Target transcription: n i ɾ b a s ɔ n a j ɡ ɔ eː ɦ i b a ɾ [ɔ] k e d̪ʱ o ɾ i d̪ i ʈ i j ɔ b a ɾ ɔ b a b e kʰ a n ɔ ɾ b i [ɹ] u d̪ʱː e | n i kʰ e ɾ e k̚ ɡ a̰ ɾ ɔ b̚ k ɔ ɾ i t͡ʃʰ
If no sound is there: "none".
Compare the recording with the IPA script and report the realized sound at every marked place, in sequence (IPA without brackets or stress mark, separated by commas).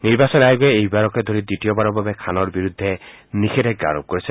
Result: ɔ, ɾ